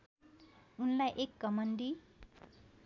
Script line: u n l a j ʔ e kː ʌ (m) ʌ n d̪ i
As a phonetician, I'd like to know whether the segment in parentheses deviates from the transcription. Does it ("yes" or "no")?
no